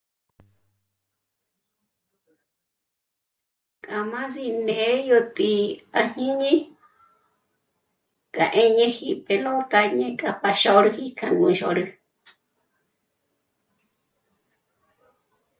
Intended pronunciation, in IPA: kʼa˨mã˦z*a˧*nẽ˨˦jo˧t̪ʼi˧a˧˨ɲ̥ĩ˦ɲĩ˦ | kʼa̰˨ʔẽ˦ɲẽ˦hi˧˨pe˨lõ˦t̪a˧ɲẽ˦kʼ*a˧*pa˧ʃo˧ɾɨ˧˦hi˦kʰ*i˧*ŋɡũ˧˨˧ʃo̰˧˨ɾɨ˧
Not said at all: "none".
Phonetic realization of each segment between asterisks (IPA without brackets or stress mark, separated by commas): i˧, a˧, a˧